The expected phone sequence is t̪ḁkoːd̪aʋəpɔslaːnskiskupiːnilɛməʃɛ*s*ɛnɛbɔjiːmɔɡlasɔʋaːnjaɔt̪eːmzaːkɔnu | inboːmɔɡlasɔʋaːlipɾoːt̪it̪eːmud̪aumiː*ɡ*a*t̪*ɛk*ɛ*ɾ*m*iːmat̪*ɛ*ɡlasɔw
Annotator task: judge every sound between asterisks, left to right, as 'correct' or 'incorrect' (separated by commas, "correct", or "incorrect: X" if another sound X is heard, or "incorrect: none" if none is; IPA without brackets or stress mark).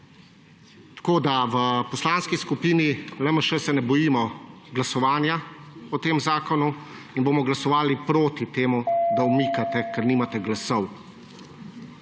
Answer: correct, incorrect: k, correct, correct, incorrect: n, correct